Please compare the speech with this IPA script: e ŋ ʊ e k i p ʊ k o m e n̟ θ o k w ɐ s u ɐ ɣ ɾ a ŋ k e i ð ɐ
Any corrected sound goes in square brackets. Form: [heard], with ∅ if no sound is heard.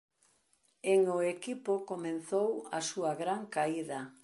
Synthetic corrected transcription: e ŋ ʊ e k i p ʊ k o m e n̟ θ o [∅] w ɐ s u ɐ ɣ ɾ a ŋ k [a] i ð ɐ